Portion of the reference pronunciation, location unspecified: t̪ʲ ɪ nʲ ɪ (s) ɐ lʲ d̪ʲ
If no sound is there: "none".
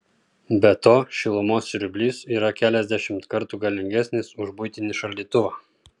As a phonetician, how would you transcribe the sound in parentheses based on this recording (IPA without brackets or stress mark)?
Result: ʃ